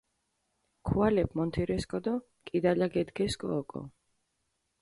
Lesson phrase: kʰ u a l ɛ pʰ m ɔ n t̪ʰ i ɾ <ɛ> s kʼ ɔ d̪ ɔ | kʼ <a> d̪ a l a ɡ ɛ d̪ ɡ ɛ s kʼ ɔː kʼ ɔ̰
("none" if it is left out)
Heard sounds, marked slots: ɛ, i

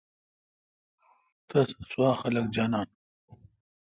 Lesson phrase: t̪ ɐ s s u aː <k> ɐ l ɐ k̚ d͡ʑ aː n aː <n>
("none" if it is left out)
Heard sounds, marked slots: x, n

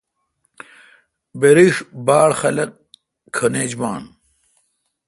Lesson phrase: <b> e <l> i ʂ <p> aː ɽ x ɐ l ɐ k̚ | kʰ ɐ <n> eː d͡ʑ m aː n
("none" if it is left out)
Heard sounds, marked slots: b, ɾ, b, n

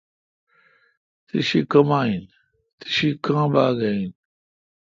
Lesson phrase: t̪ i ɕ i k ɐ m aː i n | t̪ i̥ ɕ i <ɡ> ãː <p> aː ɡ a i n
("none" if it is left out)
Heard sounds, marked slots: k, b

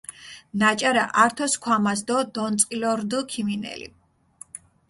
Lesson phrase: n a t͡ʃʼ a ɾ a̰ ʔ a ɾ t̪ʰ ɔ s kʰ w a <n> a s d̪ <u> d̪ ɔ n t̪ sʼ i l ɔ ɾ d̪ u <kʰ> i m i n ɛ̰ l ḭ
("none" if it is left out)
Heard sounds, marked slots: m, ɔ, kʰ

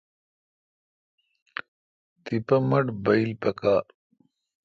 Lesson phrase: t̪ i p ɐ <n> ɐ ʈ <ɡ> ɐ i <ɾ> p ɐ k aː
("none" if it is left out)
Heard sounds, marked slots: m, b, l

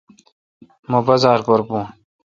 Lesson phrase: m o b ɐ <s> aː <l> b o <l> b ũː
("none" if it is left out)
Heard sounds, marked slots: z, ɾ, ɾ

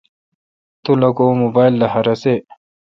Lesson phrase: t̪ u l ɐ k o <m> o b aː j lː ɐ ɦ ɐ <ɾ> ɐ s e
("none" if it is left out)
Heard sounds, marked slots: m, ɾ

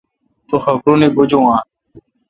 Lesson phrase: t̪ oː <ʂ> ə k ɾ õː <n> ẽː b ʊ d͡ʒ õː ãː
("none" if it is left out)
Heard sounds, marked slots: x, n

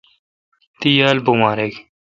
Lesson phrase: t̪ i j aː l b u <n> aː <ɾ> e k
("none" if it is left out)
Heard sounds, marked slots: m, ɾ

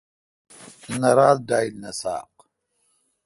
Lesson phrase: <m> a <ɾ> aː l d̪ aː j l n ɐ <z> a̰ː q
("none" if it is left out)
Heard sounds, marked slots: n, ɾ, s

